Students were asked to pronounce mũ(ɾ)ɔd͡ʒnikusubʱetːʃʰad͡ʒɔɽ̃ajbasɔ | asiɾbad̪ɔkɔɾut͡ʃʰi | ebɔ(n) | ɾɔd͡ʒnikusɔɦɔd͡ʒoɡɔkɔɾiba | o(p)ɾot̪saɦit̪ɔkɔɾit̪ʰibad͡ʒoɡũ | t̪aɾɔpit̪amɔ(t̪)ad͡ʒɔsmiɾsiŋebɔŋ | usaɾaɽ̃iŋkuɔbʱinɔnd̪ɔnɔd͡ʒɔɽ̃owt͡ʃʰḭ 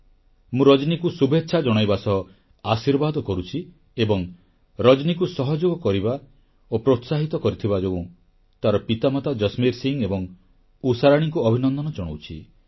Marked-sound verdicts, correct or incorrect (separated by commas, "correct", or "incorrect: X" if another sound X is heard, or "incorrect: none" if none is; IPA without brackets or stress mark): correct, incorrect: ŋ, correct, correct